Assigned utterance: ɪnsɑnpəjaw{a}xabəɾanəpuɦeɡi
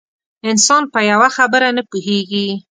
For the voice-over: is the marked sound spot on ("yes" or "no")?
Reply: yes